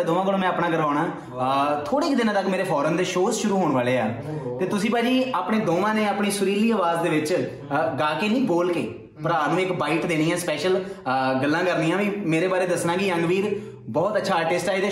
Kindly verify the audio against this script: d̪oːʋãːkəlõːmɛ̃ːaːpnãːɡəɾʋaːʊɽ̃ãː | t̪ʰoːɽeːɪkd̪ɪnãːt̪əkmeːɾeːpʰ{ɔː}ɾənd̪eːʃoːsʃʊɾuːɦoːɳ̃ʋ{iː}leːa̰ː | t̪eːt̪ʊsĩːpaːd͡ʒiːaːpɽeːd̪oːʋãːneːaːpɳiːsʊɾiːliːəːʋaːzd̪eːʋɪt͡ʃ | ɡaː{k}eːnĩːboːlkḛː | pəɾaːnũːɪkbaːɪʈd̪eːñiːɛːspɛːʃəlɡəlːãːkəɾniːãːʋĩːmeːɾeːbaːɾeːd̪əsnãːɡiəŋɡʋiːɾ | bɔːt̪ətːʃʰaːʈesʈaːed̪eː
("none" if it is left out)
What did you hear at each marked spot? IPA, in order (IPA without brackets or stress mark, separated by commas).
ɔː, aː, k